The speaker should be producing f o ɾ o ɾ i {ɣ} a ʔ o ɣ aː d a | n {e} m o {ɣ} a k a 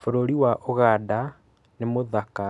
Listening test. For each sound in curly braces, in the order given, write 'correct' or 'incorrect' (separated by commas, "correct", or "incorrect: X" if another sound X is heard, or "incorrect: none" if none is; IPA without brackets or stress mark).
incorrect: w, correct, incorrect: ð